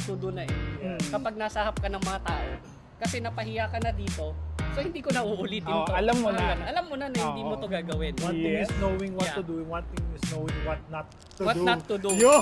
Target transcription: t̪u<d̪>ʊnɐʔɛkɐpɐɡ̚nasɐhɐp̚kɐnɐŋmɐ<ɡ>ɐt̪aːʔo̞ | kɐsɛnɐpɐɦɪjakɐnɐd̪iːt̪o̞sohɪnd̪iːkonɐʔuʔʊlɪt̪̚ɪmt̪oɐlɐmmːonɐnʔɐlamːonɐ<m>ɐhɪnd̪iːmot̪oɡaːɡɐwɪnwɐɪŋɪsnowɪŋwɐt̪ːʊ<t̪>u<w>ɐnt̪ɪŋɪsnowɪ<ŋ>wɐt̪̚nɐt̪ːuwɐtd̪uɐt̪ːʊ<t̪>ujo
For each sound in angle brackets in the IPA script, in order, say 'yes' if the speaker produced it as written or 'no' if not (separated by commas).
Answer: yes, no, no, no, yes, yes, no